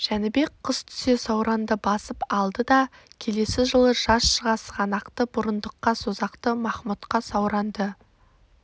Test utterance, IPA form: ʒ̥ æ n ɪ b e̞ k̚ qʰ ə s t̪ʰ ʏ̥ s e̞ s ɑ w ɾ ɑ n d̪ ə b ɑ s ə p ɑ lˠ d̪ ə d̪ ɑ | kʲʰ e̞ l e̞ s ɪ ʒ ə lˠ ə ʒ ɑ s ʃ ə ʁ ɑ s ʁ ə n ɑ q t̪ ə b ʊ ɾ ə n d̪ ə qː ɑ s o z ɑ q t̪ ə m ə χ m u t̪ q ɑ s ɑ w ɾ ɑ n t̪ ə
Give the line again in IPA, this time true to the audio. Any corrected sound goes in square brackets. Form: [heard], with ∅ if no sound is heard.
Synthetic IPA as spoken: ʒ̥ æ n ɪ b e̞ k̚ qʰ ə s t̪ʰ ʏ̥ s e̞ s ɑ w ɾ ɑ n d̪ ə b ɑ s ə p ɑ lˠ d̪ ə d̪ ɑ | kʲʰ e̞ l e̞ s ɪ ʒ ə lˠ ə ʒ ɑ s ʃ ə ʁ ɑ s ʁ [ɑ] n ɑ q t̪ ə b ʊ ɾ ə n d̪ ə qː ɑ s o z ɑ q t̪ ə m [ɑ] χ m u t̪ q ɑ s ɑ w ɾ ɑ n [d̪] ə